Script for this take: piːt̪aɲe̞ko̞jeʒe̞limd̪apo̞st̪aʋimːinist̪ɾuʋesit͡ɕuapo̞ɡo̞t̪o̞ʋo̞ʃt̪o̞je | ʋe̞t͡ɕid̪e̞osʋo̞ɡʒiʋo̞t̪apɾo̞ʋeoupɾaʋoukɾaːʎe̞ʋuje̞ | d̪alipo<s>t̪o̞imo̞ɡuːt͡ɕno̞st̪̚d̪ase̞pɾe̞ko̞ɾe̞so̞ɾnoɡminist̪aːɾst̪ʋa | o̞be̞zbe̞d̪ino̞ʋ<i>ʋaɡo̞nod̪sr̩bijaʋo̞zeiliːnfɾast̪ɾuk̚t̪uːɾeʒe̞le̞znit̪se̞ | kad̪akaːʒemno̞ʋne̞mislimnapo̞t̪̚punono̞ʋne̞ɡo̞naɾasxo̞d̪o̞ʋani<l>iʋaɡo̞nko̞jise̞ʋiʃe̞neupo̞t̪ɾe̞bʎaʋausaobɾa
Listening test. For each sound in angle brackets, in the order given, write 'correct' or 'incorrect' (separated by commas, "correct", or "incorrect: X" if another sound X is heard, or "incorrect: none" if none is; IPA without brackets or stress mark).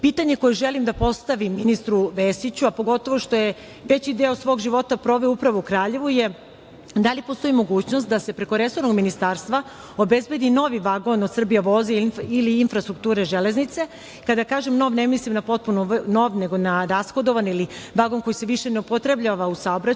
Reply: correct, correct, correct